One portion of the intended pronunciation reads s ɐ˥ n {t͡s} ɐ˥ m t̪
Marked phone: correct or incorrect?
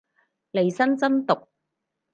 correct